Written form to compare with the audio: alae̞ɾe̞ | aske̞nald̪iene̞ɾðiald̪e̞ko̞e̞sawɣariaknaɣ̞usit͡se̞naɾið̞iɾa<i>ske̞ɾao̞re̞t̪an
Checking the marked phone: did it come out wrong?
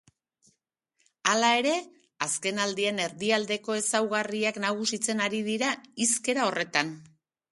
no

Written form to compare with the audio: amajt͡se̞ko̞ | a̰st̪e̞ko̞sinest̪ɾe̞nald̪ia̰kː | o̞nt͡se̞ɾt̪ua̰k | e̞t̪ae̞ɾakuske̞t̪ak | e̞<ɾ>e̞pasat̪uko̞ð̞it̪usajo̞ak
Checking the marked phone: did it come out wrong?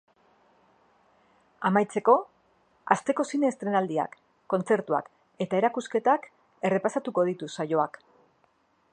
yes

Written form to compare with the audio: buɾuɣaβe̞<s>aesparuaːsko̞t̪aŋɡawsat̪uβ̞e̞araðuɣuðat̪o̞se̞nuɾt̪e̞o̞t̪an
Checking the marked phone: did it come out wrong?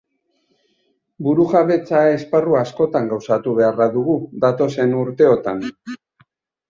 yes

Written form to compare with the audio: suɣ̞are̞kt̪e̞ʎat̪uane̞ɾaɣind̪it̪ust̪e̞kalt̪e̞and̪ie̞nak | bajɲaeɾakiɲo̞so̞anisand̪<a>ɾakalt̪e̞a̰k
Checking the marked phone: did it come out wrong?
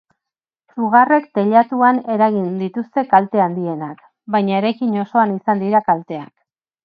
yes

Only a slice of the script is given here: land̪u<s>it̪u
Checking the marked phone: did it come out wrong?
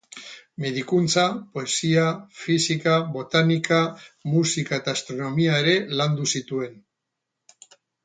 no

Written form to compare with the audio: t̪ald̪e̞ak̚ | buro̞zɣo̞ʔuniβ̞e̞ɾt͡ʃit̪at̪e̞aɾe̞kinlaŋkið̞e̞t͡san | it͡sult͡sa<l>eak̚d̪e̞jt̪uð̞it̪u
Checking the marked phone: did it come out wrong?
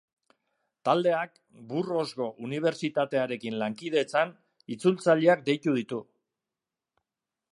yes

